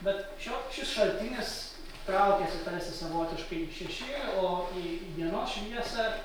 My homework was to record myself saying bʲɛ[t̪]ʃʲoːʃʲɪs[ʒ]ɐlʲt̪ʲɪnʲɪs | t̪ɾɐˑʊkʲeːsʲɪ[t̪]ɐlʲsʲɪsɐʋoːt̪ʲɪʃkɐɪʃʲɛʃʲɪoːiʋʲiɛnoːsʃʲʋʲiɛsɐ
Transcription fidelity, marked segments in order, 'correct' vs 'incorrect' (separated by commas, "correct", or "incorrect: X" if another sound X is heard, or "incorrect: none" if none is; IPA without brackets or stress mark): correct, incorrect: ʃ, correct